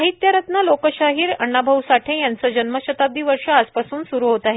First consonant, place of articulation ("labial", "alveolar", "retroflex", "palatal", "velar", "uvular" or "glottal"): glottal